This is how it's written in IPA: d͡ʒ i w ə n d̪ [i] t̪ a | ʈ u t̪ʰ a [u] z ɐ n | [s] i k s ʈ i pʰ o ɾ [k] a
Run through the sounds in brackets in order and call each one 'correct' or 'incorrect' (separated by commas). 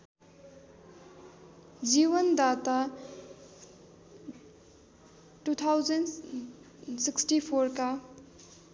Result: incorrect, incorrect, correct, correct